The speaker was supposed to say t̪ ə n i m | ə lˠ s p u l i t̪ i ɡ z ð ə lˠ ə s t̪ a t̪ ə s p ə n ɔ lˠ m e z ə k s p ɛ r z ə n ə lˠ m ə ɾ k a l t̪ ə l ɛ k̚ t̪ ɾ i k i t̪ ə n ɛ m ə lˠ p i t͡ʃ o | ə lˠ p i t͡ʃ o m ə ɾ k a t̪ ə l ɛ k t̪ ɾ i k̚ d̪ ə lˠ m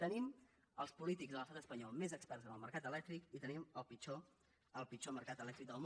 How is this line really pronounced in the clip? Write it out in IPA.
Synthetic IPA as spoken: t̪ ə n i m | ə lˠ s p u l i t̪ i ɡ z ð ə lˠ ə s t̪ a t̪ ə s p ə ɲ ɔ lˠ m e z ə k s p ɛ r z ə n ə lˠ m ə ɾ k a t̪ ə l ɛ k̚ t̪ ɾ i k i t̪ ə n i m ə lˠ p i t͡ʃ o | ə lˠ p i t͡ʃ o m ə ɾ k a t̪ ə l ɛ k t̪ ɾ i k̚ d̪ ə lˠ m